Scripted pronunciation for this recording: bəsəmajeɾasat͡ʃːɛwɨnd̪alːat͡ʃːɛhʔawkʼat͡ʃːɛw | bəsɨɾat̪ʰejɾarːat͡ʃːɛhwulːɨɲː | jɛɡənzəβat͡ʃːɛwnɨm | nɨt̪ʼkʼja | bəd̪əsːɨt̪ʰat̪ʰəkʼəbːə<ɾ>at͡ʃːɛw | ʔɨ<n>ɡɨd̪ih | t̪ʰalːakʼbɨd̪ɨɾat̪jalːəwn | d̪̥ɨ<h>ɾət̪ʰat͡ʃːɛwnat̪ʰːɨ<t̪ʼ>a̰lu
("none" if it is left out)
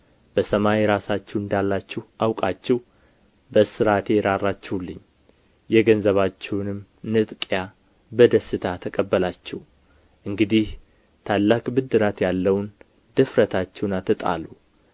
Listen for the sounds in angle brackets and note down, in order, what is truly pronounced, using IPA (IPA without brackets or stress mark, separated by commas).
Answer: l, ŋ, f, t̪ʼ